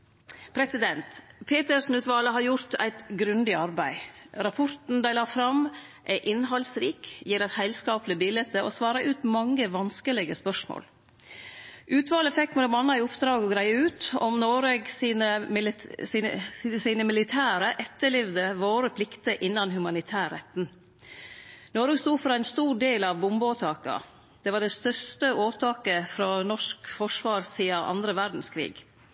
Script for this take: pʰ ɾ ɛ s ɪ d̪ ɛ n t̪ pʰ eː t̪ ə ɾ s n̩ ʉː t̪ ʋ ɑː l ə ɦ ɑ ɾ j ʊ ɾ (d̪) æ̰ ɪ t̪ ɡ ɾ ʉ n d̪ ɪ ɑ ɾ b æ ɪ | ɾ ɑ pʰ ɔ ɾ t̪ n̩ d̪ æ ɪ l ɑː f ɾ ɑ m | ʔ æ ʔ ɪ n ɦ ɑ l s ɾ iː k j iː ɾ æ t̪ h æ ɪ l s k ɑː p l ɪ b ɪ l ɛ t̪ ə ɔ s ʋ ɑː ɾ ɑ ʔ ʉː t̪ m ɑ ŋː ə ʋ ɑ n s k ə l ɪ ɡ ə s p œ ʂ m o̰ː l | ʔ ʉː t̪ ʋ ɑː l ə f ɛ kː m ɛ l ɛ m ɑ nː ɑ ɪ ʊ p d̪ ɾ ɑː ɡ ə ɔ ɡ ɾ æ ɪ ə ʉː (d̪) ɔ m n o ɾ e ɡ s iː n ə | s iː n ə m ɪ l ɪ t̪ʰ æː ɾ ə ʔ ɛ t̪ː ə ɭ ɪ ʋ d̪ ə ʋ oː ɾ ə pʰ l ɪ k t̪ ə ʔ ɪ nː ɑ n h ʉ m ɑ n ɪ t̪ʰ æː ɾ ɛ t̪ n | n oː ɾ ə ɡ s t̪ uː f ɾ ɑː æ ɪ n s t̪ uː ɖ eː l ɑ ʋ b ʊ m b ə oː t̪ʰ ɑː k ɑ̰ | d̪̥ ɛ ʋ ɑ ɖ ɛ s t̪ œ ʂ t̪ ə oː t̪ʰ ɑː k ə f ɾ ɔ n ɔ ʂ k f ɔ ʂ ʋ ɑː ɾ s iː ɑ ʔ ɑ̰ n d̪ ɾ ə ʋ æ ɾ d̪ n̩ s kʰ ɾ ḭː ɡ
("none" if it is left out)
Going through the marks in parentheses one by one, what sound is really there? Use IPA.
t̪, t̪

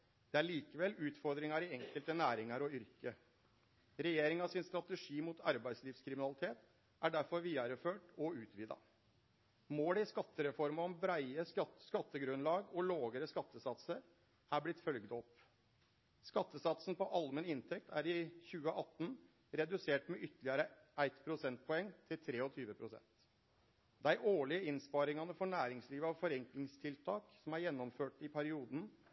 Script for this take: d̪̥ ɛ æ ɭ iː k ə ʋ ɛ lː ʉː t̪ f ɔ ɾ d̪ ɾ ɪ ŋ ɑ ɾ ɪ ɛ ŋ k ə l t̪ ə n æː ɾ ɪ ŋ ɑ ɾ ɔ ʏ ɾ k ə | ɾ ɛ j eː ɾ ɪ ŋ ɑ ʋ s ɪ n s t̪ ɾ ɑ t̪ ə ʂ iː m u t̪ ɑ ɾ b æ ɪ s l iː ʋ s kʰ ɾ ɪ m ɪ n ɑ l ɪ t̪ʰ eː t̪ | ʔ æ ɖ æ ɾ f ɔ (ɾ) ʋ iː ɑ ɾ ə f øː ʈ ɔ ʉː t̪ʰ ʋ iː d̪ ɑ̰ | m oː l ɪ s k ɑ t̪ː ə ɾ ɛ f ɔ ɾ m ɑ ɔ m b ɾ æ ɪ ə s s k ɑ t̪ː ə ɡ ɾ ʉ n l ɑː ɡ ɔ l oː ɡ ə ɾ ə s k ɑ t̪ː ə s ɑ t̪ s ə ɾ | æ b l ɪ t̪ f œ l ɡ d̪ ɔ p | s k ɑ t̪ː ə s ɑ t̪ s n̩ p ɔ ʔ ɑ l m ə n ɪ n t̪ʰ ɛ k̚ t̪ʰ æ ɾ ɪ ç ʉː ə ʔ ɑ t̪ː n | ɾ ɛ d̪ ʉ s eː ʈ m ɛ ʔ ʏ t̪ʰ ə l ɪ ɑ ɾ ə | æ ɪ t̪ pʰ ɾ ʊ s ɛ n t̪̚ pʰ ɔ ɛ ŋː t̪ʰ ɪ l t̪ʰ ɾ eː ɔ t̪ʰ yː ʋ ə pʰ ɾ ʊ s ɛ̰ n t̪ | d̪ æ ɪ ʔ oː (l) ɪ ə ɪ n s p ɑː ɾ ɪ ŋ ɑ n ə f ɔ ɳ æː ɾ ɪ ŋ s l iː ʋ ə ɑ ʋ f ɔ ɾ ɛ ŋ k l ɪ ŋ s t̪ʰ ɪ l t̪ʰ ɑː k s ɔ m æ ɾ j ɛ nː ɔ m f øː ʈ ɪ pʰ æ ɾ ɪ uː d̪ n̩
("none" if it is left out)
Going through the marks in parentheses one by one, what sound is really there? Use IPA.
ɾ, ɭ

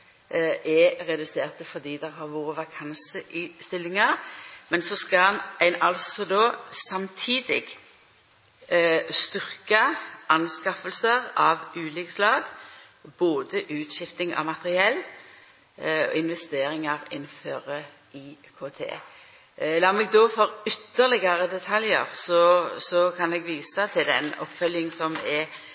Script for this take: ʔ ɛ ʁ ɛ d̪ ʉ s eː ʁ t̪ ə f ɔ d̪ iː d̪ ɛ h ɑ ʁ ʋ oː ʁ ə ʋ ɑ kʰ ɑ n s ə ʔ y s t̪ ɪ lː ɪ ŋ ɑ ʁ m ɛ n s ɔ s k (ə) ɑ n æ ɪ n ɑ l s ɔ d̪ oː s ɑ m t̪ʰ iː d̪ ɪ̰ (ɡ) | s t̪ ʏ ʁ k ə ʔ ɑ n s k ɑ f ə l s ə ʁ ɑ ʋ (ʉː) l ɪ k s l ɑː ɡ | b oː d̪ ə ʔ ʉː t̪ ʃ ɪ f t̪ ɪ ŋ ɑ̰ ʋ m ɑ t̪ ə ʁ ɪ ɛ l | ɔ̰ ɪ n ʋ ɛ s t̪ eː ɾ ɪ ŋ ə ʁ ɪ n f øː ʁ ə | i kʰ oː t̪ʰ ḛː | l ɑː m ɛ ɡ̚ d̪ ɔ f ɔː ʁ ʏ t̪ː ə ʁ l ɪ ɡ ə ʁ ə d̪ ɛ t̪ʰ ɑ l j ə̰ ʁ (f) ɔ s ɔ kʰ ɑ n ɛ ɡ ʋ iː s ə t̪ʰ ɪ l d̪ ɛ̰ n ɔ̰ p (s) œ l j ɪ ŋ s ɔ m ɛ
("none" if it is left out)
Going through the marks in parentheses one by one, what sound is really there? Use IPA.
ɑ, ɡ, ʉː, s, f

